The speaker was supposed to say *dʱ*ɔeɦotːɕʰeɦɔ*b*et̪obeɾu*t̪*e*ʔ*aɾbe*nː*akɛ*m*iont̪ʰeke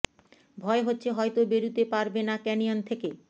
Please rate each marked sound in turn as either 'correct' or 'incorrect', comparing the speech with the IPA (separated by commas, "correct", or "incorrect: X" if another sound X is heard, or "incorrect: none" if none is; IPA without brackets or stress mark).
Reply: incorrect: bʱ, incorrect: none, correct, incorrect: p, incorrect: n, incorrect: n